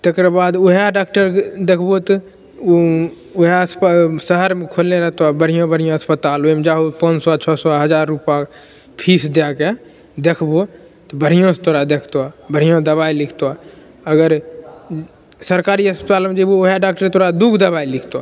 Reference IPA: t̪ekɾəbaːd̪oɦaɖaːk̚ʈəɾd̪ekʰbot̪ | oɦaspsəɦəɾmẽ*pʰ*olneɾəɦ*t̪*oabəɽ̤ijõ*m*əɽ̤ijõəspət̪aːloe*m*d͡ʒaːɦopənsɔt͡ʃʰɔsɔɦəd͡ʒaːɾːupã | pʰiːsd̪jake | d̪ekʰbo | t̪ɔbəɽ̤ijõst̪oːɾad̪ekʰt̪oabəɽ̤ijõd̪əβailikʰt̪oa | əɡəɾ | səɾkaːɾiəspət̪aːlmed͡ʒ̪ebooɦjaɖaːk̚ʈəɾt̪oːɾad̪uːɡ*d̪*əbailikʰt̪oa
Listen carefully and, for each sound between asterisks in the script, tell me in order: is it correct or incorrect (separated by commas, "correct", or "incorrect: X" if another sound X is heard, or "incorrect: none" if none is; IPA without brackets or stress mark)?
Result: incorrect: kʰ, correct, incorrect: b, correct, correct